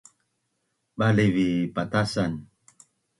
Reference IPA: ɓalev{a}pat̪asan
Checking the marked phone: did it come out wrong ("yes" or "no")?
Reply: yes